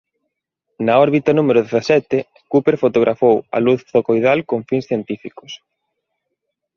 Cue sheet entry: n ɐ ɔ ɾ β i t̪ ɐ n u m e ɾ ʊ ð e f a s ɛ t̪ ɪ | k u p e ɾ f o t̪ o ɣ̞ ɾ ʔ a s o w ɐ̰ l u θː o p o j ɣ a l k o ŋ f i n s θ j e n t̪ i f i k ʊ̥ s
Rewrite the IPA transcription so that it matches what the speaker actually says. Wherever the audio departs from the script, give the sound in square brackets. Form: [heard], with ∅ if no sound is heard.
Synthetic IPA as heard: n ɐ ɔ ɾ β i t̪ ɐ n u m e ɾ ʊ ð e [θ] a s ɛ t̪ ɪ | k u p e ɾ f o t̪ o ɣ̞ ɾ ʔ a [f] o w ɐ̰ l u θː o [k] o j [ð] a l k o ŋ f i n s θ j e n t̪ i f i k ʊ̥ s